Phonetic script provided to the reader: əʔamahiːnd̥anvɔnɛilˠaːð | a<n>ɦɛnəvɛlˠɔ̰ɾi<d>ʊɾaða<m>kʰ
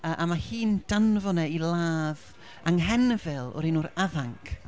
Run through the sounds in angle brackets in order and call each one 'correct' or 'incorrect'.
incorrect: ŋ, incorrect: n, incorrect: ŋ

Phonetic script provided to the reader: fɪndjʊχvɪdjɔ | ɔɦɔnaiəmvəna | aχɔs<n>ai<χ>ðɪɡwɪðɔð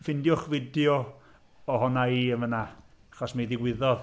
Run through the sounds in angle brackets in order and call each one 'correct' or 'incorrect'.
incorrect: m, incorrect: none

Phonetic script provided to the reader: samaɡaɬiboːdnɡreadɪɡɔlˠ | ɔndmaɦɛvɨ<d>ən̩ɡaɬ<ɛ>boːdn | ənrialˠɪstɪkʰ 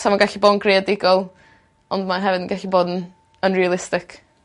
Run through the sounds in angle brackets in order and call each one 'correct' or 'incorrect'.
correct, incorrect: i

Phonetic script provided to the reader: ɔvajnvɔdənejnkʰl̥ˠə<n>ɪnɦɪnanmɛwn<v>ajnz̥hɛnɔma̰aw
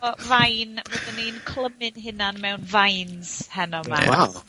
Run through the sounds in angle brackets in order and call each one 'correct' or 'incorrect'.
incorrect: m, correct

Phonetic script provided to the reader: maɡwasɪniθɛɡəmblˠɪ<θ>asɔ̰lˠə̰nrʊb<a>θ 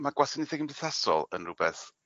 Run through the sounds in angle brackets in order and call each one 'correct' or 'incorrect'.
correct, incorrect: ɛ

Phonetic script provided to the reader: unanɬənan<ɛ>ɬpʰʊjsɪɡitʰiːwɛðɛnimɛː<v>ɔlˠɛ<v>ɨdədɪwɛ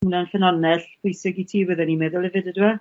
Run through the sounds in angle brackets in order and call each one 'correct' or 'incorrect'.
correct, incorrect: ð, correct

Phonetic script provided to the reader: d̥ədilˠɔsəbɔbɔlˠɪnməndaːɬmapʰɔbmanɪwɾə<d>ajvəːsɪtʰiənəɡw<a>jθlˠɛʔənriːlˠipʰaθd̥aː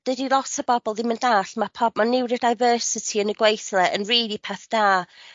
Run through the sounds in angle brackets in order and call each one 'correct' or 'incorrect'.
correct, incorrect: e

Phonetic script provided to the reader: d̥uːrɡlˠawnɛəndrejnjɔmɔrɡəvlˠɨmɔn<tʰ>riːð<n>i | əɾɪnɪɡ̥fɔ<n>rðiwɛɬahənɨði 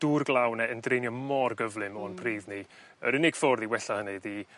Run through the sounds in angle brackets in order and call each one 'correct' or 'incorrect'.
incorrect: pʰ, correct, incorrect: none

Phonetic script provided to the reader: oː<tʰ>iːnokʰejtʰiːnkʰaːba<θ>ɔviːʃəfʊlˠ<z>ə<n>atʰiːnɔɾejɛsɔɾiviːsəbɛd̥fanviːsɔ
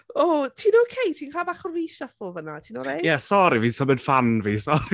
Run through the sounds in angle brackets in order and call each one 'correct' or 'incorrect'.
correct, incorrect: χ, incorrect: v, correct

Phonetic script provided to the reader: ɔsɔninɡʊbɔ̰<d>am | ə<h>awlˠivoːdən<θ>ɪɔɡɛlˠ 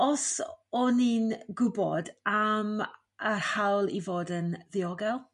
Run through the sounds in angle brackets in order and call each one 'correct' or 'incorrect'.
correct, correct, incorrect: ð

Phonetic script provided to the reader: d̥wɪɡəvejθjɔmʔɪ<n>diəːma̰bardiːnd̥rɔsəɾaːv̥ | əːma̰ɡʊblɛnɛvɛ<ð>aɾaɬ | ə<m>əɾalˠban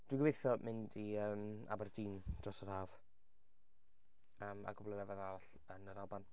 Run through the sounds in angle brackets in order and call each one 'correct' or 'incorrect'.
correct, correct, incorrect: n

